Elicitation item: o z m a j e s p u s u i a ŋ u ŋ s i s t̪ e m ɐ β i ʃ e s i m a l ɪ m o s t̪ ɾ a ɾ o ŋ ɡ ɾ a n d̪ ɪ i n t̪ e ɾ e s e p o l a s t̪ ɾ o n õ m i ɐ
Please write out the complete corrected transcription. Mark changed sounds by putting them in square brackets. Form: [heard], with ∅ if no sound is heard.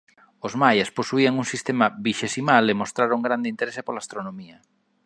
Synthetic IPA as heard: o z m a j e s p [o] s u i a ŋ u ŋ s i s t̪ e m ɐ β i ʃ e s i m a l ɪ m o s t̪ ɾ a ɾ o ŋ ɡ ɾ a n d̪ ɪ i n t̪ e ɾ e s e p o l a s t̪ ɾ o n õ m i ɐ